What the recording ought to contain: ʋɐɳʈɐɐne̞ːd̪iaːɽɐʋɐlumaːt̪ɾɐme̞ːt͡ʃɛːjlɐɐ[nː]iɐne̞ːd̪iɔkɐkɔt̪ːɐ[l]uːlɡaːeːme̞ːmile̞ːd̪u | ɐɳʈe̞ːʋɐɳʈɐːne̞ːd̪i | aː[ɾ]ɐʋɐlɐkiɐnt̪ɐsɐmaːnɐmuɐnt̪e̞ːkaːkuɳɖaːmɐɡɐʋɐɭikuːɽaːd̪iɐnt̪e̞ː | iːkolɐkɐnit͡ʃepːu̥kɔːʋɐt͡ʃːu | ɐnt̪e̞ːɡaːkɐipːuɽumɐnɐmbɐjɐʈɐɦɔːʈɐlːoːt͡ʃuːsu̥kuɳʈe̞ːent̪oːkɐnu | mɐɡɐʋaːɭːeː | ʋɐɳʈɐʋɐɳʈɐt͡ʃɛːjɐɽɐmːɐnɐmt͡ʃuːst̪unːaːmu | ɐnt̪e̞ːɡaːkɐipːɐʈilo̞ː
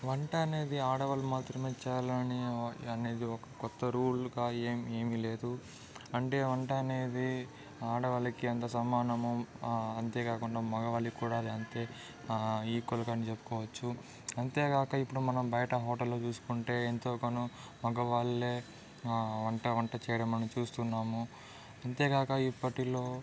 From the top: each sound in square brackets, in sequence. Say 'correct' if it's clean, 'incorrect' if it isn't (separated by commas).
incorrect, incorrect, incorrect